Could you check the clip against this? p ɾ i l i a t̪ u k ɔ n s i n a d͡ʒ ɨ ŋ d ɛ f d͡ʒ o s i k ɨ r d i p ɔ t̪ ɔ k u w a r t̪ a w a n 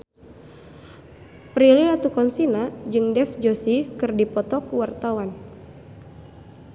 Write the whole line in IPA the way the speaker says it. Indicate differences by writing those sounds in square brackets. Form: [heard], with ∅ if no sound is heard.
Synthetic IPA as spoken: p ɾ i l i a t̪ u k ɔ n s i n a d͡ʒ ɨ ŋ d ɛ f d͡ʒ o s i k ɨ r d i p ɔ t̪ ɔ k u w a r t̪ a w a n